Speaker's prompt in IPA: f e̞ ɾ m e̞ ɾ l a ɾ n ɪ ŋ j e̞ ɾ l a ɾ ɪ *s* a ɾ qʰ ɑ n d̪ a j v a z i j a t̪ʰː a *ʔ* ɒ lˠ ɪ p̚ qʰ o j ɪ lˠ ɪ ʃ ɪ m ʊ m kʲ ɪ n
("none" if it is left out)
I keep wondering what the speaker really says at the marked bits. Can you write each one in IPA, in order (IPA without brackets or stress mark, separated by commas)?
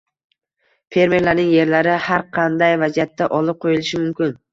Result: h, ʔ